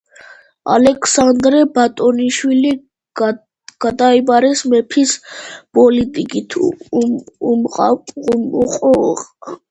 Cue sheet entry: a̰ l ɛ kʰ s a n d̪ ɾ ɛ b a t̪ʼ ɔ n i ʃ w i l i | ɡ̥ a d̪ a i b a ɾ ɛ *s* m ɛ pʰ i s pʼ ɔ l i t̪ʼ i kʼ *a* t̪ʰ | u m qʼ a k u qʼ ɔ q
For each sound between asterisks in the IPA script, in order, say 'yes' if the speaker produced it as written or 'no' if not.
yes, no

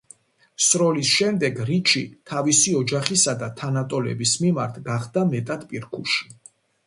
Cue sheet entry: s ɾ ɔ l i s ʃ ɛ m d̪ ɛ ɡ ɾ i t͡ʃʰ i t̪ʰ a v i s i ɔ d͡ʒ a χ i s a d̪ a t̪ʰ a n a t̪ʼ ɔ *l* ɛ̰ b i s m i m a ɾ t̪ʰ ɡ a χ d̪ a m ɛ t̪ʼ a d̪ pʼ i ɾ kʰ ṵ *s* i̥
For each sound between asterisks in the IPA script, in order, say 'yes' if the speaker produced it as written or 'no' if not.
yes, no

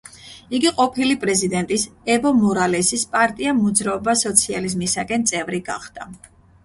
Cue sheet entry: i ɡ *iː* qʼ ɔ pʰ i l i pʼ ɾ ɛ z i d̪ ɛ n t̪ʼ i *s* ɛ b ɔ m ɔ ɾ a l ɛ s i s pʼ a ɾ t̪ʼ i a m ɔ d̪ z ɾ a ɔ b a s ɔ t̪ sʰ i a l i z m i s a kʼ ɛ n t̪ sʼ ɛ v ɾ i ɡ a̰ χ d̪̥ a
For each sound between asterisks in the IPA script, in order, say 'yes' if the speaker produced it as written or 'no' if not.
no, yes

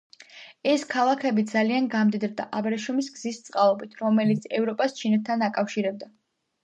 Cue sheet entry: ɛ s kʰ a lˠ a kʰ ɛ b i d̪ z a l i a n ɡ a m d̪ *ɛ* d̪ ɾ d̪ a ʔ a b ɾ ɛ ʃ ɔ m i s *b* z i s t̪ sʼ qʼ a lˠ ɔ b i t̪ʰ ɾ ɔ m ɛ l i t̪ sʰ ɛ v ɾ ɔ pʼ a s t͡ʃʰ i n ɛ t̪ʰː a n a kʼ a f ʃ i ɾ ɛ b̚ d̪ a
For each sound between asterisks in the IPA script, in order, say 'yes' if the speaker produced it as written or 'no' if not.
no, no

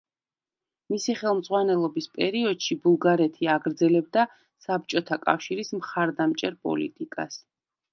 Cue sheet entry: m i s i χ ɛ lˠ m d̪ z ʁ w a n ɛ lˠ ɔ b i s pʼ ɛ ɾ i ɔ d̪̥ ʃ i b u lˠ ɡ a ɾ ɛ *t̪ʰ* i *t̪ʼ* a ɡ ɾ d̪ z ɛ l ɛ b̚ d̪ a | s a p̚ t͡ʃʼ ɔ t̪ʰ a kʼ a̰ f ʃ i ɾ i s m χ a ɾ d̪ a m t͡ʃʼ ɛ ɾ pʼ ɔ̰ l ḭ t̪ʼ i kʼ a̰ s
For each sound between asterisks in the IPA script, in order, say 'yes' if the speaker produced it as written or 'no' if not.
yes, no

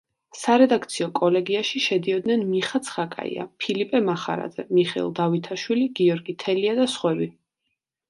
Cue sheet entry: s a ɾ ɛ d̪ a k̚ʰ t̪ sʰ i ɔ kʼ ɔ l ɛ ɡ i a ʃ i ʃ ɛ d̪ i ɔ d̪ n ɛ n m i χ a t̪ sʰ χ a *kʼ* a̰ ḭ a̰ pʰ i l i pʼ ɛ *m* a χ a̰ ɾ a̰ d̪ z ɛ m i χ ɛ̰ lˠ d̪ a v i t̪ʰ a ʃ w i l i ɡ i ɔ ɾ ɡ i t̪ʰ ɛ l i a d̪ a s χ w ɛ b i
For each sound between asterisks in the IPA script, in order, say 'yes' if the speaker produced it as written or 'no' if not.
yes, yes

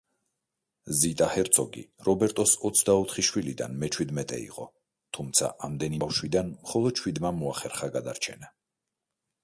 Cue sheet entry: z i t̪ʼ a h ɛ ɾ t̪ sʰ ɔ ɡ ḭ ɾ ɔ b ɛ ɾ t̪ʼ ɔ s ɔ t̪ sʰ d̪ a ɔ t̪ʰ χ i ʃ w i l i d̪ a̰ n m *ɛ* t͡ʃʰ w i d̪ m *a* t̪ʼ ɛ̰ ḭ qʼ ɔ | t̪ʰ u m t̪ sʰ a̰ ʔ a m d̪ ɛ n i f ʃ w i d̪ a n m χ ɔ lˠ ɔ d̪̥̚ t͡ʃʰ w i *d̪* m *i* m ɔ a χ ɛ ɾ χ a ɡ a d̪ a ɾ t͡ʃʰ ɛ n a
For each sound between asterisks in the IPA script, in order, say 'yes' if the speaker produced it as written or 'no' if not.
yes, no, yes, no

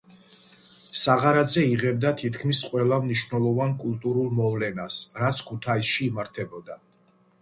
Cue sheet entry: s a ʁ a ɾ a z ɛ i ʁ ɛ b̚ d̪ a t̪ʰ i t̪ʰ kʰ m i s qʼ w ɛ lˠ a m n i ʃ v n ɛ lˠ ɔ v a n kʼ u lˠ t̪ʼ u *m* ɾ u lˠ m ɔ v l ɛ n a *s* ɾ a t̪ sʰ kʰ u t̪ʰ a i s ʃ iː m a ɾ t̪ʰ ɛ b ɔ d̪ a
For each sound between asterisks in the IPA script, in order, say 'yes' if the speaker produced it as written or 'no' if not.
no, yes

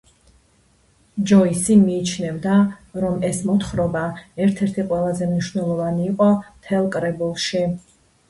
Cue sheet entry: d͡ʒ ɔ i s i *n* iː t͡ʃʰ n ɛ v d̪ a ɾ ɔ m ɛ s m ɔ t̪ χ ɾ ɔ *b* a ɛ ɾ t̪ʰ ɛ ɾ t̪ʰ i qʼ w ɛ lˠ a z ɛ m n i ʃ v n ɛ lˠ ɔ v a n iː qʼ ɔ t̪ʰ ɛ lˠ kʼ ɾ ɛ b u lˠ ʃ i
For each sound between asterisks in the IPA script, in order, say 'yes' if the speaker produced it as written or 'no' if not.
no, yes

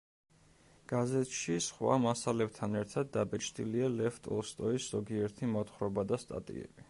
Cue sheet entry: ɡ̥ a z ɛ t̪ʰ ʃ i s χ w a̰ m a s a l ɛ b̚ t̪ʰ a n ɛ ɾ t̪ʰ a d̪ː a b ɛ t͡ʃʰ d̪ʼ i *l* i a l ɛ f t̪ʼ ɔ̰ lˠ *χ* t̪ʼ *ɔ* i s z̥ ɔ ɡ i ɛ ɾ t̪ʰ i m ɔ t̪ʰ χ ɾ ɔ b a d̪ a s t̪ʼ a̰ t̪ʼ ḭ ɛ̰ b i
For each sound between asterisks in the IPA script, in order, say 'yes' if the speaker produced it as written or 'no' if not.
yes, no, yes

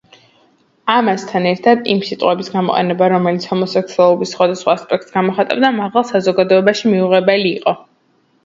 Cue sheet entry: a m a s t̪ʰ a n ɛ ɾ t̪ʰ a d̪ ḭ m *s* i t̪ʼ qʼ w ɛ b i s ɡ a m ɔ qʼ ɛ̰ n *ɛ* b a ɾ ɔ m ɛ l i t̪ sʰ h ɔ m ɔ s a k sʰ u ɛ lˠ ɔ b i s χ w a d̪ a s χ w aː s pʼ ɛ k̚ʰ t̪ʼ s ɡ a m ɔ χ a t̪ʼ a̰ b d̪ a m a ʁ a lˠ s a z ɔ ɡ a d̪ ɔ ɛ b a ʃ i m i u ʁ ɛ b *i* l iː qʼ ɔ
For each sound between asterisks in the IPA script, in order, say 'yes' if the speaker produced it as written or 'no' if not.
yes, yes, no

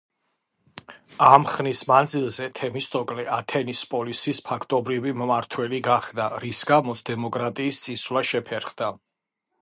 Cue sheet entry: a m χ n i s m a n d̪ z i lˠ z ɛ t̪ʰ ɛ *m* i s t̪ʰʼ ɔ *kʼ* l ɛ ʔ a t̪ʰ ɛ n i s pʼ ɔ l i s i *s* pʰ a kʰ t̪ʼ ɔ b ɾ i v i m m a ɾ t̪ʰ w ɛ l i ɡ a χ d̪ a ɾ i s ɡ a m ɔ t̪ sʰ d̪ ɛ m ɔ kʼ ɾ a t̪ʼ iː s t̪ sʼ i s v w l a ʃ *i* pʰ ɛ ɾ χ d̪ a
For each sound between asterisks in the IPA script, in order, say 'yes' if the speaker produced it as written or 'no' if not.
yes, yes, yes, no

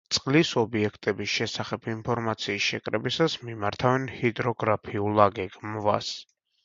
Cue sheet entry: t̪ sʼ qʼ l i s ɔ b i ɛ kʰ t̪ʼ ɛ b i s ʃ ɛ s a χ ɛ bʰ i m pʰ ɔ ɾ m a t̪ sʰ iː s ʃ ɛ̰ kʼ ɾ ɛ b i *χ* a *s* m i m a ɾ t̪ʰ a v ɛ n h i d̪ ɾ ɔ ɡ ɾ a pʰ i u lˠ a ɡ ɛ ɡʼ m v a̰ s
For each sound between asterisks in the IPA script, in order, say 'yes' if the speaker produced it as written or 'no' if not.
no, yes

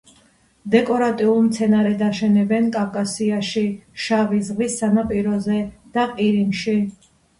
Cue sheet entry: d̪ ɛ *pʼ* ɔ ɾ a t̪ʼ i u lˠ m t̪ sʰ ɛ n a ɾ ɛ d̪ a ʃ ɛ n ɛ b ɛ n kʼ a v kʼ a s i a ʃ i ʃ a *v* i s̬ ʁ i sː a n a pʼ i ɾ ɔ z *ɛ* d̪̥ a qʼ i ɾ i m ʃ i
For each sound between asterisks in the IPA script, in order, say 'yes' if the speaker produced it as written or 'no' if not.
no, yes, yes

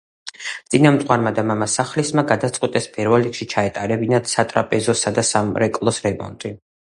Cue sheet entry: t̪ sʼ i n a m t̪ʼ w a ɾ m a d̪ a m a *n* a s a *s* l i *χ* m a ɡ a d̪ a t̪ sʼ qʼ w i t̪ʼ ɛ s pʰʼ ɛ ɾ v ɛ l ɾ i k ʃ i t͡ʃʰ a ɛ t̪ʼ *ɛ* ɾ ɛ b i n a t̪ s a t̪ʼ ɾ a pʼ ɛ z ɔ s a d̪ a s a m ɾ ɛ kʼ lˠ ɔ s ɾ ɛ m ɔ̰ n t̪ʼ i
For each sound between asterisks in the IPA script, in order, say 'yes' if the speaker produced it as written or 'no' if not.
no, no, no, no

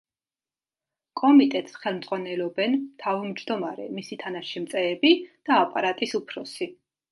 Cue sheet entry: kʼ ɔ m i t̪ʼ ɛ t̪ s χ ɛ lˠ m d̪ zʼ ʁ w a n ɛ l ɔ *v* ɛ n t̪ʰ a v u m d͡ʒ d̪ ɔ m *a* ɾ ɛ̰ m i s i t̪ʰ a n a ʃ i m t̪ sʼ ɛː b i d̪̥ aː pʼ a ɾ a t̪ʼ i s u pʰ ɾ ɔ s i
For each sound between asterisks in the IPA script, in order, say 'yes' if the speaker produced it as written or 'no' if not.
no, yes

